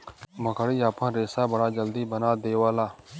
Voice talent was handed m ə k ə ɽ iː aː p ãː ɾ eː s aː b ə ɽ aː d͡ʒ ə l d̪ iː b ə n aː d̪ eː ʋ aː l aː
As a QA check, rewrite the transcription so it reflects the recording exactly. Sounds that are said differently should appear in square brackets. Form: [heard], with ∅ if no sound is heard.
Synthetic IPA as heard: m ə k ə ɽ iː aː p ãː ɾ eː s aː b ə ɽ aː d͡ʒ ə l d̪ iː b ə n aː d̪ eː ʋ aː l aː